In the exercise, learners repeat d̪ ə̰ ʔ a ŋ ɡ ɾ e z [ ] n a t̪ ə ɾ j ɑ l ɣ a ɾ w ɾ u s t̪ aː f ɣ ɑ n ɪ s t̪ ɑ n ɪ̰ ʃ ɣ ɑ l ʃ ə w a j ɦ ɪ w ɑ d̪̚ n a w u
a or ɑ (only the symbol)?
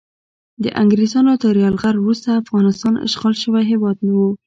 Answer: ɑ